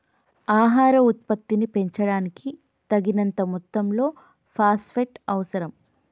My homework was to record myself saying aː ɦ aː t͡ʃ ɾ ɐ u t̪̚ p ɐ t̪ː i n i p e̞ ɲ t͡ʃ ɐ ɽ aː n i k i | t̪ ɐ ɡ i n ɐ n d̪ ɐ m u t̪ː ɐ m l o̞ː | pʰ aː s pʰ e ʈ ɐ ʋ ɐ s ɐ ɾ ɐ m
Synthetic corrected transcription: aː ɦ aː ɾ ɐ u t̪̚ p ɐ t̪ː i n i p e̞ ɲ t͡ʃ ɐ ɽ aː n i k i | t̪ ɐ ɡ i n ɐ n t̪ ɐ m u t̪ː ɐ m l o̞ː | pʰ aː s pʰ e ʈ ɐ ʋ ɐ s ɐ ɾ ɐ m